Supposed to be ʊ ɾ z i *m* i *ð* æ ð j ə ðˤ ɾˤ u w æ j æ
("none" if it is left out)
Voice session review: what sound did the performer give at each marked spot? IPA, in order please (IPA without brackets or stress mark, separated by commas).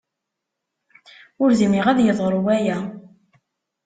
m, ʁ